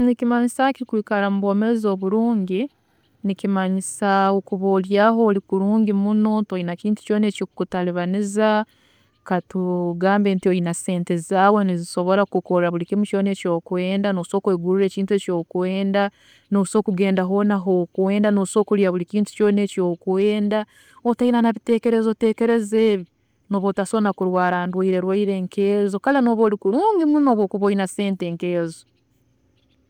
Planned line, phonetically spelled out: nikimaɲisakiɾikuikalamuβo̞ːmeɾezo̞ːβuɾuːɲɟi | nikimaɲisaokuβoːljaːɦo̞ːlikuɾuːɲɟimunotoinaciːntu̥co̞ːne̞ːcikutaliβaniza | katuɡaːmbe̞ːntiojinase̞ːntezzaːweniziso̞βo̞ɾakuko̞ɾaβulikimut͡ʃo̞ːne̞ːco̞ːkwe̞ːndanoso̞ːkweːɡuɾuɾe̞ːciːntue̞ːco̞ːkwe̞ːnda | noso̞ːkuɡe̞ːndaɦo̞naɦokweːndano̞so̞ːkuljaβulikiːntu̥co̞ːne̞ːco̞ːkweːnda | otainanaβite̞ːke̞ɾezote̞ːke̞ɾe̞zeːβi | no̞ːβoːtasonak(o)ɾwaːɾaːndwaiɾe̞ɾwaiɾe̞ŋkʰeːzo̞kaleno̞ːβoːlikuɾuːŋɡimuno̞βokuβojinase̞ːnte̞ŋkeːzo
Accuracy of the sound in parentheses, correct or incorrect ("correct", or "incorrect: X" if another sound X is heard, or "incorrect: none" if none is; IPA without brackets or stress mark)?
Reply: incorrect: u